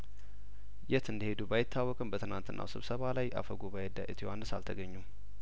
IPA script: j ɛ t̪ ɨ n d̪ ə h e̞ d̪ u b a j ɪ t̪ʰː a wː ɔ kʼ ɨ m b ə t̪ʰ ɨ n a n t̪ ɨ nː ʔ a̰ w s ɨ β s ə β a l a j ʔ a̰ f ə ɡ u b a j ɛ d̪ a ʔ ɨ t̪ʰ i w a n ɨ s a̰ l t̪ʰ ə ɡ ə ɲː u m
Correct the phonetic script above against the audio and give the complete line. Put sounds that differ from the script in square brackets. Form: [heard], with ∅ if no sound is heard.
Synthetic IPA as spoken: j ɛ t̪ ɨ n d̪ ə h e̞ d̪ u b a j ɪ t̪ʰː a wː ɔ kʼ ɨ m b ə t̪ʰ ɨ n a n t̪ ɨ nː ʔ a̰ w s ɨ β s ə β a l a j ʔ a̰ f ə ɡ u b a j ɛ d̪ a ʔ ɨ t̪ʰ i w a n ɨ s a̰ l t̪ʰ ə ɡ ə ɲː u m